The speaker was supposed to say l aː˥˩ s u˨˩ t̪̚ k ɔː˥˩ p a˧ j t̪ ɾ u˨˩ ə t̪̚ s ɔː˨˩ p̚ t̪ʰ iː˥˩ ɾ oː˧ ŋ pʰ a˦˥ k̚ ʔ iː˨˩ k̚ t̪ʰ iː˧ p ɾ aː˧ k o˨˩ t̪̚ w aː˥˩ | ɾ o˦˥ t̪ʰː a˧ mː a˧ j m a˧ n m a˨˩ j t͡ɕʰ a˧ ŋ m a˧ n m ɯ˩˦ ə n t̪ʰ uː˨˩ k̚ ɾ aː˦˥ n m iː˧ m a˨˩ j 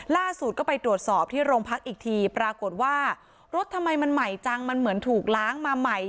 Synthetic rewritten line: l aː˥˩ s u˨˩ t̪̚ k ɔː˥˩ p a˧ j t̪ ɾ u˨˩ ə t̪̚ s ɔː˨˩ p̚ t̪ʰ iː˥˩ ɾ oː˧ ŋ pʰ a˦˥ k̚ ʔ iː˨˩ k̚ t̪ʰ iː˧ p ɾ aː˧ k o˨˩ t̪̚ w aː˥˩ | ɾ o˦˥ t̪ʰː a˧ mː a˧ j m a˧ n m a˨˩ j t͡ɕ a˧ ŋ m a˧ n m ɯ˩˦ ə n t̪ʰ uː˨˩ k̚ l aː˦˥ ŋ m aː˧ m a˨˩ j